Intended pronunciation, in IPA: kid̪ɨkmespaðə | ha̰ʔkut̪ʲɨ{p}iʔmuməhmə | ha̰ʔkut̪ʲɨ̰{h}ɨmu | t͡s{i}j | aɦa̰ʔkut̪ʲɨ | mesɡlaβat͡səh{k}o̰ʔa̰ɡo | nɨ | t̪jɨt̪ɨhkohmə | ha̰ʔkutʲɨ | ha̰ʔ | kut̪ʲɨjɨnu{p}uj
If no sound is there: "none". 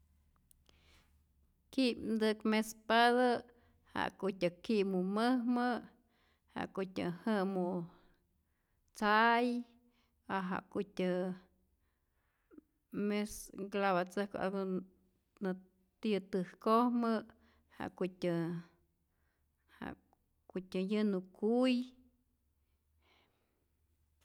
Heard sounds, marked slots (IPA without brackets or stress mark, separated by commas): k, h, a, k, k